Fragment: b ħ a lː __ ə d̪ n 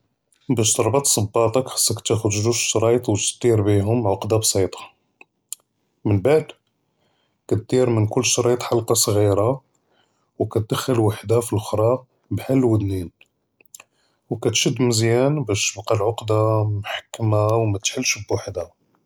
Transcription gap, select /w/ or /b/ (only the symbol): w